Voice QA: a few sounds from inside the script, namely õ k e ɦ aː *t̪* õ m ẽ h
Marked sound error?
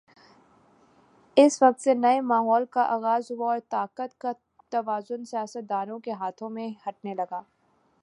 yes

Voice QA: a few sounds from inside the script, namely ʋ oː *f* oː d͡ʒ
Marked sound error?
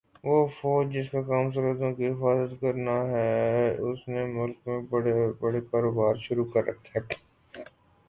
no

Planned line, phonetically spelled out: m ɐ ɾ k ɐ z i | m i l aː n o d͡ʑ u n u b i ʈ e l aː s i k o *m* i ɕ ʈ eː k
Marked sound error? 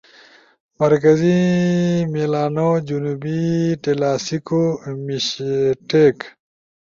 no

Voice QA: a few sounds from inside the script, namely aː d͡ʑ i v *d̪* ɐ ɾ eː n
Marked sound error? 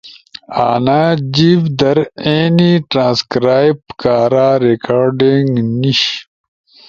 no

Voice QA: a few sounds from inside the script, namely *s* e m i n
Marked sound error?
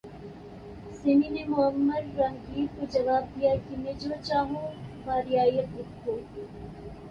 no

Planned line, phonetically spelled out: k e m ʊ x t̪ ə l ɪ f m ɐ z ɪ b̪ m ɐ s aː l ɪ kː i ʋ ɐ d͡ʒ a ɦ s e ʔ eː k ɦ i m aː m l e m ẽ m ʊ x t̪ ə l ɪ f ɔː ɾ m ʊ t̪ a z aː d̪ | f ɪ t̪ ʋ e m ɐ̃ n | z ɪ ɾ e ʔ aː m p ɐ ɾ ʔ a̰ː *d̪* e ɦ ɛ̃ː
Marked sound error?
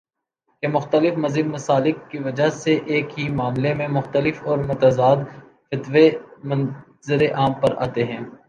yes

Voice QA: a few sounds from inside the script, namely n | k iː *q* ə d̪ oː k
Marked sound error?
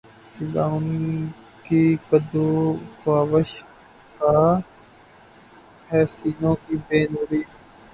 yes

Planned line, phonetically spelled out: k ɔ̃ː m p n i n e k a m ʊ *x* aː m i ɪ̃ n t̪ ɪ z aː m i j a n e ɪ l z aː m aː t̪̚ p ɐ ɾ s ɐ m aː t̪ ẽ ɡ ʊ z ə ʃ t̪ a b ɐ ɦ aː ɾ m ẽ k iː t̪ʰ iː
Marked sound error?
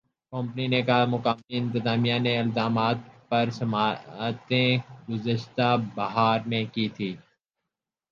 yes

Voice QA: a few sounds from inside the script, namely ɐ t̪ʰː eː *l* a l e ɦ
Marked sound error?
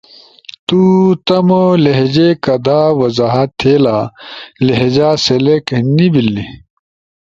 no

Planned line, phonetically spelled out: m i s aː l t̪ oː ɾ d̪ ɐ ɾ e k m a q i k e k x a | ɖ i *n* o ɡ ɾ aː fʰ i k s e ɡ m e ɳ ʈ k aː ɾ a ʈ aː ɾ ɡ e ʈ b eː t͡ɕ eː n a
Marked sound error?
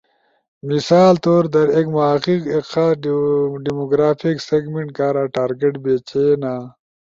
yes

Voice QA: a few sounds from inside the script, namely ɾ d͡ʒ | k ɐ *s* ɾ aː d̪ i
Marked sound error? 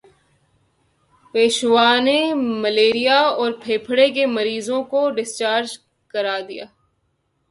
yes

